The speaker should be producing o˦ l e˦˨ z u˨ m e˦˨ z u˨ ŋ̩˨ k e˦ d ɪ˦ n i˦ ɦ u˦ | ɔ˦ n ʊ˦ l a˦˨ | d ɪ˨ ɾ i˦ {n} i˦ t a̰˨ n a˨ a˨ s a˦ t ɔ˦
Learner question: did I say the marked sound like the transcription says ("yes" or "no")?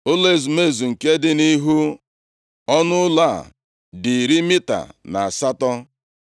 no